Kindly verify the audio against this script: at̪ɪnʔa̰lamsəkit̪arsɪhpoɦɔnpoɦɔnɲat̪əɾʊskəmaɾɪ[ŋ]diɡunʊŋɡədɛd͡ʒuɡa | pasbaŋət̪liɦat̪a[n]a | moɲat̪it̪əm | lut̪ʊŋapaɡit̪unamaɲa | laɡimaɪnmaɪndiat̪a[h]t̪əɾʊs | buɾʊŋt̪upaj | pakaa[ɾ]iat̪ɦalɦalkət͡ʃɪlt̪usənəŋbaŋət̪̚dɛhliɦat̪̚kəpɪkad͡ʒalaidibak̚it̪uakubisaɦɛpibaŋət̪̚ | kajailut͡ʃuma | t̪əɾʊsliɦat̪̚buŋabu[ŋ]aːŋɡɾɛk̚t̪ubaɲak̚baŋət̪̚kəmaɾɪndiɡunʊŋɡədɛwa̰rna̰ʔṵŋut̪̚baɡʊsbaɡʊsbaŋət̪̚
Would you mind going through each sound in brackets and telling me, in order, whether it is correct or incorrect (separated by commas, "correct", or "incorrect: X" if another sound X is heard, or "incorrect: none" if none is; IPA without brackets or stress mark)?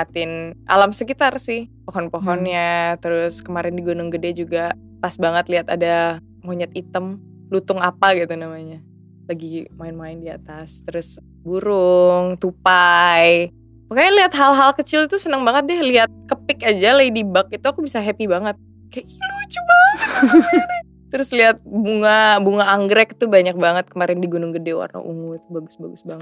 incorrect: n, incorrect: d, incorrect: s, incorrect: l, correct